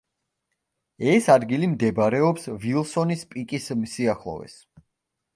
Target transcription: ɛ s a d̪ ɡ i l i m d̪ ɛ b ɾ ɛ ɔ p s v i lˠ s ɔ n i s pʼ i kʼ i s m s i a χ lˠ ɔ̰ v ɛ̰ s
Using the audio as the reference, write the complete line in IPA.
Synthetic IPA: ɛ s a d̪ ɡ i l i m d̪ ɛ b ɾ ɛ ɔ p s v i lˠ s ɔ n i s pʼ i kʼ i s m s i a χ lˠ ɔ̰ v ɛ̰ s